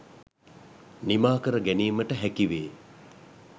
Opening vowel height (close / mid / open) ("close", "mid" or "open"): close